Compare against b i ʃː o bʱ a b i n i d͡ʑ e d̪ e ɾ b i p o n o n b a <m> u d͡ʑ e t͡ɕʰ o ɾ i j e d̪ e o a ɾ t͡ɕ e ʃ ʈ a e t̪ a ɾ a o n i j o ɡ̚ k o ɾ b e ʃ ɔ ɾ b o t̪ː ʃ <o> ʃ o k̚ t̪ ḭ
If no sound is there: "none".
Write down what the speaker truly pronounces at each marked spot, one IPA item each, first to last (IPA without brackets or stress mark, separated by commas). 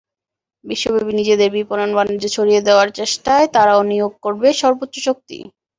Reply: n, o